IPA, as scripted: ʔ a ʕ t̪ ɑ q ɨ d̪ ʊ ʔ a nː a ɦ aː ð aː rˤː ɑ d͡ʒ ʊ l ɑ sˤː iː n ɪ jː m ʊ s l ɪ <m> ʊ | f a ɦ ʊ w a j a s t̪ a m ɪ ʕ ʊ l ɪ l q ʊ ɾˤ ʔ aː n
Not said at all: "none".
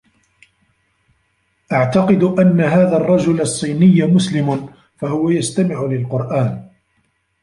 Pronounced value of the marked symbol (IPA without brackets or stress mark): m